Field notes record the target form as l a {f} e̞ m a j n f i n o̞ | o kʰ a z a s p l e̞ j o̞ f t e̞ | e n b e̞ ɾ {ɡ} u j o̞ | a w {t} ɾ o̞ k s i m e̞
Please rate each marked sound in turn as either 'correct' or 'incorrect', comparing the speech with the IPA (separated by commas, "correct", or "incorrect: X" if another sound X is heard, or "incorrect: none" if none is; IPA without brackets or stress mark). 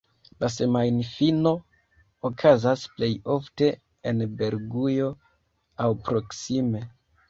incorrect: s, correct, incorrect: p